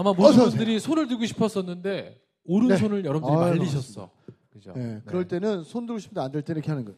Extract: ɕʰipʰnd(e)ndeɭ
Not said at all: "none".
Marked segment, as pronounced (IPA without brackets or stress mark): a